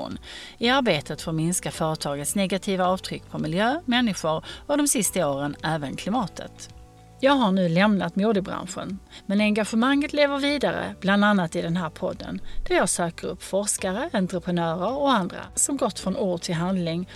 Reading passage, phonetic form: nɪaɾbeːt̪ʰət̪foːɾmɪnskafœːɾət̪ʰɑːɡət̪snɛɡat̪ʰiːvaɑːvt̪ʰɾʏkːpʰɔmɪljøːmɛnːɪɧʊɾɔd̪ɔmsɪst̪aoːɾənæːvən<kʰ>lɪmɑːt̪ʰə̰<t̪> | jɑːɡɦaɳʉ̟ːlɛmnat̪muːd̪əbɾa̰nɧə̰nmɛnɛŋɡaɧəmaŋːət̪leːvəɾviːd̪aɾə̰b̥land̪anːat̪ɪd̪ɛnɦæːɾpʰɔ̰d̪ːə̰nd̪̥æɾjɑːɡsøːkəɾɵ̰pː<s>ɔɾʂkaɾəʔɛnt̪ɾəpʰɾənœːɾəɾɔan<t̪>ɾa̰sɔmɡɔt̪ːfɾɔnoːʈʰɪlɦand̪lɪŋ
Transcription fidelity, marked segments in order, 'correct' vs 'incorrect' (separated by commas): correct, correct, incorrect, incorrect